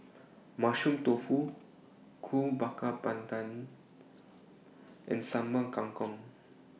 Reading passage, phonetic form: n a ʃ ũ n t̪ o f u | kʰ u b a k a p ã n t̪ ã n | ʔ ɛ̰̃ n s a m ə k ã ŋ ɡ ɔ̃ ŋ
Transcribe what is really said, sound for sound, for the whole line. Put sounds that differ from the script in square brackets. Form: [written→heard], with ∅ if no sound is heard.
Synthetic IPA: [n→m] a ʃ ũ [n→m] t̪ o f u | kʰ u b a k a p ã n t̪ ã n | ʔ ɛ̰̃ n s a m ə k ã ŋ [ɡ→k] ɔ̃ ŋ